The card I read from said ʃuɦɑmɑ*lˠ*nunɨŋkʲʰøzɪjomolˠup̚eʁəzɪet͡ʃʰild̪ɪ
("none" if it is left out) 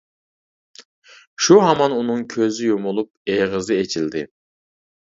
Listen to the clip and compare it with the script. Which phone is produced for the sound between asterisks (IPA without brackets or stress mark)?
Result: none